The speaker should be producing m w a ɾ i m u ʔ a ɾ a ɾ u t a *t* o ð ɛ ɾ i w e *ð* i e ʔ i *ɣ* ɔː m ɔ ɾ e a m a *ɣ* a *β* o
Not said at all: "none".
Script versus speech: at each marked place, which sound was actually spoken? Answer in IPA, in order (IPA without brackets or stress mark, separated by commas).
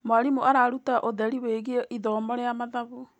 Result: ʔ, ɣ, ð, ð, β